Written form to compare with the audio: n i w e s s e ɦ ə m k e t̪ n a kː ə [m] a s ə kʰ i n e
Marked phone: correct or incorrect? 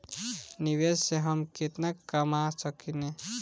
correct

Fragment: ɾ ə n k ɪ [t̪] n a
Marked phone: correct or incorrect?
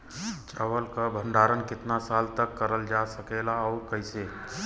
correct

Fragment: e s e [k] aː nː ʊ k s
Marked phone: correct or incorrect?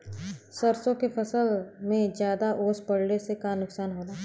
correct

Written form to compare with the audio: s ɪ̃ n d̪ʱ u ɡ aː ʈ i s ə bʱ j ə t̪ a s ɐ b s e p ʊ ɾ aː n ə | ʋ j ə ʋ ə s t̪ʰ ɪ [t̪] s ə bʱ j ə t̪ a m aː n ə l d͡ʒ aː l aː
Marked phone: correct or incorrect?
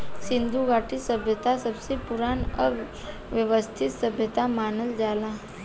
correct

